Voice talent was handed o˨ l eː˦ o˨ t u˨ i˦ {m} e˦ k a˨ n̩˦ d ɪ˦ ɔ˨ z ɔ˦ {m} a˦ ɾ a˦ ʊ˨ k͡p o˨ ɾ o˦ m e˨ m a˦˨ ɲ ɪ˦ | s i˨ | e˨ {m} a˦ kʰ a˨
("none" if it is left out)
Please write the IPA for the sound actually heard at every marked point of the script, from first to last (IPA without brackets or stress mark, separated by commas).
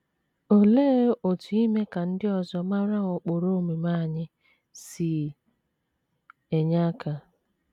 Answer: m, m, ɲ